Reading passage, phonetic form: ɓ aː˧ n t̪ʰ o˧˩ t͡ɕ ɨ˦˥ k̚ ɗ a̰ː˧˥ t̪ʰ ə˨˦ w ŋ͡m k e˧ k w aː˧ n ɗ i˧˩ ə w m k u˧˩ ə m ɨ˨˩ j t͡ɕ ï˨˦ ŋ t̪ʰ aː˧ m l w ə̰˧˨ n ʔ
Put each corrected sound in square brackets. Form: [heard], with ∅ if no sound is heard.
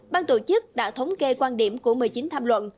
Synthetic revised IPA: ɓ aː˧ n [t̪] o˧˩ t͡ɕ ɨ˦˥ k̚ ɗ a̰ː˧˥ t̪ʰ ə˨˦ w ŋ͡m k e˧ k w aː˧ n ɗ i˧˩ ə [∅] m k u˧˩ ə m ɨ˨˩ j t͡ɕ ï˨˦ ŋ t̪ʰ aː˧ m l w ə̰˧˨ n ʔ